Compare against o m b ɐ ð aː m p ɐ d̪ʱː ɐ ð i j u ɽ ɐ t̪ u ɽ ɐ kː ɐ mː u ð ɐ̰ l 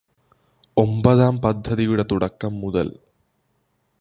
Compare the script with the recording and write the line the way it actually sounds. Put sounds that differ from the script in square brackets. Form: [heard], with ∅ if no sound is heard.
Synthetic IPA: o m b ɐ ð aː m p ɐ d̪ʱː ɐ ð i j u ɽ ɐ t̪ u ɽ ɐ kː ɐ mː u ð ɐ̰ l